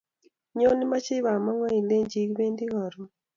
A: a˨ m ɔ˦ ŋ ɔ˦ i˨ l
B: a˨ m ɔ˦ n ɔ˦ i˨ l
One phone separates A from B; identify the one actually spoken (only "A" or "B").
A